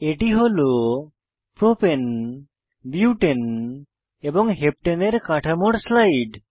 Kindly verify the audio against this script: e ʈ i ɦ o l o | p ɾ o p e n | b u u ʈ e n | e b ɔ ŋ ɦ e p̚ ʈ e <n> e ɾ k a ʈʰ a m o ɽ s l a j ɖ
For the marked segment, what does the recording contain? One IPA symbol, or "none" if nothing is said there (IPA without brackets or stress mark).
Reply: n